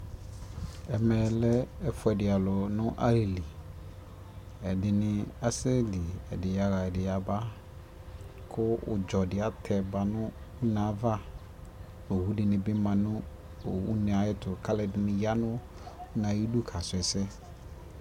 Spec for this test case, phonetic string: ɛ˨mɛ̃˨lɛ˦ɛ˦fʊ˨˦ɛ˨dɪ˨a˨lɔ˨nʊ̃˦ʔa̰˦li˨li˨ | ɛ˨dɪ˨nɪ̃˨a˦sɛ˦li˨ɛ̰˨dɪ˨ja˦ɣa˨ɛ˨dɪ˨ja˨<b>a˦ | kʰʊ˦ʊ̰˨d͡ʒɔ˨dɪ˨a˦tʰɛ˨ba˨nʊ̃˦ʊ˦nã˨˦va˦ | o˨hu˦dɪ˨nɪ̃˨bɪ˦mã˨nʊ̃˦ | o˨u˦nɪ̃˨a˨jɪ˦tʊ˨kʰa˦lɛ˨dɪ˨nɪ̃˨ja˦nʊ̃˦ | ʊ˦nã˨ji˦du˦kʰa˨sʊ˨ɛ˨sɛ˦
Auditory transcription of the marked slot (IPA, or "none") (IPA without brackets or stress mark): b